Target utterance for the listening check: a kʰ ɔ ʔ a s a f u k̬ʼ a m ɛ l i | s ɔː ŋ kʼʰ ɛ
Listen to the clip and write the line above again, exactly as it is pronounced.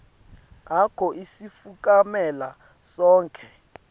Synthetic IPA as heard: a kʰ ɔ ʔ i s i f u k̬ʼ a m ɛ l a | s ɔː ŋ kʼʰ ɛ

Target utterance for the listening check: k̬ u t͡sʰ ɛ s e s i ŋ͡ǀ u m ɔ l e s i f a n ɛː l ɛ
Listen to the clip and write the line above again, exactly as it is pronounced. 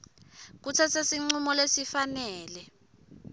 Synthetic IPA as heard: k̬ u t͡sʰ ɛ s e s i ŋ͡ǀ u m ɔ l e s i f a n ɛː l ɛ

